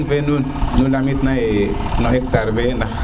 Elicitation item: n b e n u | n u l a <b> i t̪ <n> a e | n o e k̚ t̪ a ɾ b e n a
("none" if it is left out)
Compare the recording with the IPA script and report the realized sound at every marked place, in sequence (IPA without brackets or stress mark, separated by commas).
m, n